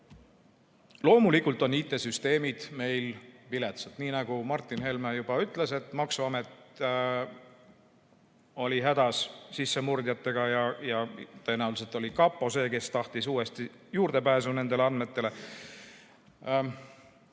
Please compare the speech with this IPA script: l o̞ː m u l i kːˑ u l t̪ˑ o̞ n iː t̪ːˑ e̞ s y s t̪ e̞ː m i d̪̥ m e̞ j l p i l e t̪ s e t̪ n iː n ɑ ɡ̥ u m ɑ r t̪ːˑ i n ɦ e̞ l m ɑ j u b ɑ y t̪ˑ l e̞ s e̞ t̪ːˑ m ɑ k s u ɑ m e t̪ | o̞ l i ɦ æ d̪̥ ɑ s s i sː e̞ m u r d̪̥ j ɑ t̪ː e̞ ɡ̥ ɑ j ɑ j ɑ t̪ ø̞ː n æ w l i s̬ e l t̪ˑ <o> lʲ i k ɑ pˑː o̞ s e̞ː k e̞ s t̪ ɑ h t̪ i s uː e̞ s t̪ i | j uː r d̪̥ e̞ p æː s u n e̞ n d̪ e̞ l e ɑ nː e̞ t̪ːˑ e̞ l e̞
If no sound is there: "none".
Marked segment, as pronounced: o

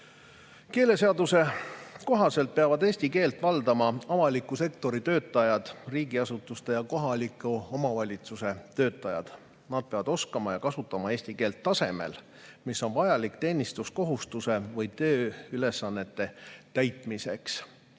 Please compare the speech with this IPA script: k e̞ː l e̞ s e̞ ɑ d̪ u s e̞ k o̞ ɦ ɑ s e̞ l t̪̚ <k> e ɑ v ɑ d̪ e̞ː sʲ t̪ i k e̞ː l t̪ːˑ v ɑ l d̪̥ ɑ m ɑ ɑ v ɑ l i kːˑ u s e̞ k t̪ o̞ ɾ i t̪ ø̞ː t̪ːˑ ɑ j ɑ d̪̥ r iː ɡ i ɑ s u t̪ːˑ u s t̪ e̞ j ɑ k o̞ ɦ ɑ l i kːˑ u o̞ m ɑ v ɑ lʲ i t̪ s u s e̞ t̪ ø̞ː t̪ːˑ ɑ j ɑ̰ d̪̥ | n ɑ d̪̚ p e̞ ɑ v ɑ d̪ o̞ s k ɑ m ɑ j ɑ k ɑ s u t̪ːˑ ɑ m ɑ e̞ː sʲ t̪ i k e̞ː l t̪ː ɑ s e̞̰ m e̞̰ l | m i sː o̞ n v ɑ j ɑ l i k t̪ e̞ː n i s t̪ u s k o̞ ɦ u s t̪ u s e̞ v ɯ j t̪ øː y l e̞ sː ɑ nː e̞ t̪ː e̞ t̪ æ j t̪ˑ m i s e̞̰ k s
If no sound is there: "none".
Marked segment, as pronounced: p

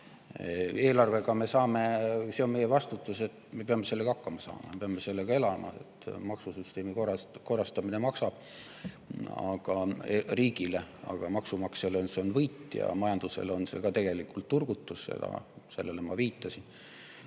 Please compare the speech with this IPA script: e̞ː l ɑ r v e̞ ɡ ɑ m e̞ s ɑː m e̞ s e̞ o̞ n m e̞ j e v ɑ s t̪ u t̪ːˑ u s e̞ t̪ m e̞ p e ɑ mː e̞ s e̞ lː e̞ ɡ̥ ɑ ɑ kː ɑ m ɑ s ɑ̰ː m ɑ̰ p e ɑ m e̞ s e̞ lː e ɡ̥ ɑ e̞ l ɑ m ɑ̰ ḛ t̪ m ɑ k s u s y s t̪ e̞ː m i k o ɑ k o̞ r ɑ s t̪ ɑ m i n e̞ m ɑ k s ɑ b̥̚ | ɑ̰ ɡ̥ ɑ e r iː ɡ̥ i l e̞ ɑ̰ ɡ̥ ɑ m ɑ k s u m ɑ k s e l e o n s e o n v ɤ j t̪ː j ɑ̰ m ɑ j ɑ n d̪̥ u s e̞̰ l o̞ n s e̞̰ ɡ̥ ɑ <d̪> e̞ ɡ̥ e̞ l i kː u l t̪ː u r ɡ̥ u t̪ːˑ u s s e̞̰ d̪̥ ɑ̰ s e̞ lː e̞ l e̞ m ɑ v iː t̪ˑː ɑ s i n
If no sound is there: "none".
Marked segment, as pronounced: t̪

